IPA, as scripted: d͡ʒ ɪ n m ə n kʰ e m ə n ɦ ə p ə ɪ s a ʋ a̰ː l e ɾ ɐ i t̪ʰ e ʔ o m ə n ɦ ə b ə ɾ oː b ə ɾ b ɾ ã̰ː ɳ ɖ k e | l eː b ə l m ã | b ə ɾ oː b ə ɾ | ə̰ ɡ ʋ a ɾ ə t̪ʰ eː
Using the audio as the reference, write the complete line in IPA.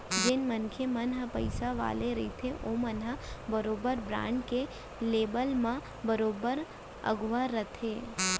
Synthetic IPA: d͡ʒ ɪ n m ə n kʰ e m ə n ɦ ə p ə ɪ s a ʋ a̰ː l e ɾ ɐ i t̪ʰ e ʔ o m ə n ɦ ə b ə ɾ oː b ə ɾ b ɾ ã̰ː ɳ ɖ k e | l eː b ə l m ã | b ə ɾ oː b ə ɾ | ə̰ ɡ ʋ a ɾ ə t̪ʰ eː